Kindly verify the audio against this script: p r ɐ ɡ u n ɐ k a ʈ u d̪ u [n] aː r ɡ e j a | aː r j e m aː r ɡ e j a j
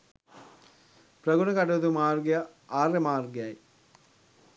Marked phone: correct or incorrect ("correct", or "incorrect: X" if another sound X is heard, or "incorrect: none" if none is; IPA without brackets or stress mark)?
incorrect: m